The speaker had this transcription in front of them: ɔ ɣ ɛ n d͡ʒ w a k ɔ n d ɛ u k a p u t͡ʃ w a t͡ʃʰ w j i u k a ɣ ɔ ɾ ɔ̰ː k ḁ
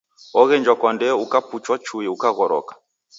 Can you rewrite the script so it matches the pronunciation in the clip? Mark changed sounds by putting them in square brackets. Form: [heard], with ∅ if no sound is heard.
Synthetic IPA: ɔ ɣ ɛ n d͡ʒ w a k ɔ n d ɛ u k a p u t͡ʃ w a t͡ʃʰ [u] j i u k a ɣ ɔ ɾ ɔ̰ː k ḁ